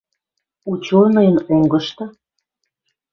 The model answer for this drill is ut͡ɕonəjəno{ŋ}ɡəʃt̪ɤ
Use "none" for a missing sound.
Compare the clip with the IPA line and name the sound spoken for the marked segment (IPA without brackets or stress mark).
ŋ